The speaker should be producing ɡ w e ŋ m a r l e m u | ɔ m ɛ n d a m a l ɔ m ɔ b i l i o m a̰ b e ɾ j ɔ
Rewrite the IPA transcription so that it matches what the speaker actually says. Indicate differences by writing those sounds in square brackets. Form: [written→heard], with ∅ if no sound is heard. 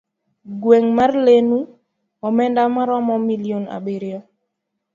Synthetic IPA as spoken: ɡ w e ŋ m a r l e [m→n] u | ɔ m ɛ n d a m a [l→ɾ] ɔ m ɔ [b→m] i l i o [m→n] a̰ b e ɾ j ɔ